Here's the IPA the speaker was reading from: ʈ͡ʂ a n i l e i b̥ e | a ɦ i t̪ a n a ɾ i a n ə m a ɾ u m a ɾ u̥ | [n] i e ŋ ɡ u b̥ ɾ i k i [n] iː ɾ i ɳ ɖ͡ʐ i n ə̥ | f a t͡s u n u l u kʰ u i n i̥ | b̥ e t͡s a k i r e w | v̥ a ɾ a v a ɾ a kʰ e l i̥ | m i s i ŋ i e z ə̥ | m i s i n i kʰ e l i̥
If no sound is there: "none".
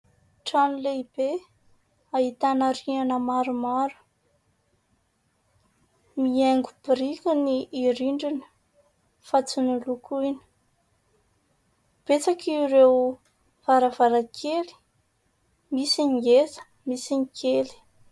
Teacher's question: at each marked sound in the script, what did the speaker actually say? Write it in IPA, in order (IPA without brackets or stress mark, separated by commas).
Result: m, n